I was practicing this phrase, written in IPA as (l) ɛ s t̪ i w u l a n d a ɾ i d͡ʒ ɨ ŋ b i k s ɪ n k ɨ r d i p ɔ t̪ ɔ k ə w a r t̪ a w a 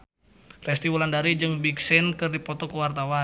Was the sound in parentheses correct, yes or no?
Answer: no